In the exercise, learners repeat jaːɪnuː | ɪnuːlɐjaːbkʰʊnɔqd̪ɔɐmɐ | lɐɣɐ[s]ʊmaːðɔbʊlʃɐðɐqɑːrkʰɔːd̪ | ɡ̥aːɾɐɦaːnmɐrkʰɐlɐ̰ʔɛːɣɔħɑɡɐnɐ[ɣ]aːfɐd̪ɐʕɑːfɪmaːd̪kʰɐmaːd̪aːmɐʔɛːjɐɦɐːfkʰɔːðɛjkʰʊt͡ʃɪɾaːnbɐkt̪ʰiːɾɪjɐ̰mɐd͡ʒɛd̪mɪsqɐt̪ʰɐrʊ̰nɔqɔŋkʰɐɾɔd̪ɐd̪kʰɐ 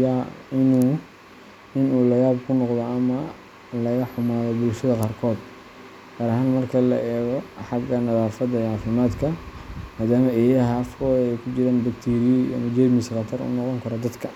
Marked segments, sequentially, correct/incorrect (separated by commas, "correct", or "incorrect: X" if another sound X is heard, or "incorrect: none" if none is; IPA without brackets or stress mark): incorrect: ħ, incorrect: ð